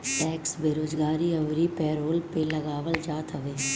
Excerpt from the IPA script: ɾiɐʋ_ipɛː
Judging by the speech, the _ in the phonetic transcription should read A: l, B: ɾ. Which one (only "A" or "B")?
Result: B